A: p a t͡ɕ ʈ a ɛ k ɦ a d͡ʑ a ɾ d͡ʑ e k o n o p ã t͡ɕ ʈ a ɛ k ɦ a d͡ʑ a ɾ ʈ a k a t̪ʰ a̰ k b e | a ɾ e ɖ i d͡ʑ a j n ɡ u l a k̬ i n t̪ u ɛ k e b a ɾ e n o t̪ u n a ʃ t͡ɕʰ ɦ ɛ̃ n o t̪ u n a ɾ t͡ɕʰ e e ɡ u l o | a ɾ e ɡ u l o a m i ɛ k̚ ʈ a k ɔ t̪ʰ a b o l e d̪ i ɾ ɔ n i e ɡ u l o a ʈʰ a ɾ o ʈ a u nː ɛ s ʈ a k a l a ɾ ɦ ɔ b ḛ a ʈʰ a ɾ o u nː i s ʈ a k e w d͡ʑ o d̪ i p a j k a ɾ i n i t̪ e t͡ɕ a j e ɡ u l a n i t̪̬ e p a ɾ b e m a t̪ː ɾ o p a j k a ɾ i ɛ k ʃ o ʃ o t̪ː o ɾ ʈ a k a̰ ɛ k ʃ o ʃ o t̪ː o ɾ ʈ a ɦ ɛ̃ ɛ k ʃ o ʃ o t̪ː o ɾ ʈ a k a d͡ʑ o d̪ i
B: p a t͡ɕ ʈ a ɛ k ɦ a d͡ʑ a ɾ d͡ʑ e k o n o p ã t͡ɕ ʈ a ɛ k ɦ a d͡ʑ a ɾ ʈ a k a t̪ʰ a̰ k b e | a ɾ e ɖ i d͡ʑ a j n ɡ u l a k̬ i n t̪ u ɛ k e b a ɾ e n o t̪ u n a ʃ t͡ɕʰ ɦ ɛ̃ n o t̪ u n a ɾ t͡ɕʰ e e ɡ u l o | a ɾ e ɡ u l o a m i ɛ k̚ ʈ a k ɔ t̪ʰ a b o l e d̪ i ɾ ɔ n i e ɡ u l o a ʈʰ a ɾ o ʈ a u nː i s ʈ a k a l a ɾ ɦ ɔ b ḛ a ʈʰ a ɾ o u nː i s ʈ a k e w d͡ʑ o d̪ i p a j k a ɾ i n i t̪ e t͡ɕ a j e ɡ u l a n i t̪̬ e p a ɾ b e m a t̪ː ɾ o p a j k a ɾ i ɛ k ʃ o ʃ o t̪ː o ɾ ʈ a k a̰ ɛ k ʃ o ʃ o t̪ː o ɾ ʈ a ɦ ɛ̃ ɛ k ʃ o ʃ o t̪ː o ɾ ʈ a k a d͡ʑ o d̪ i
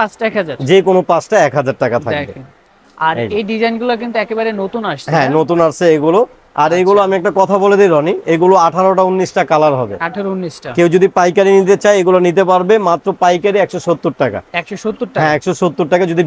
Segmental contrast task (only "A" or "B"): B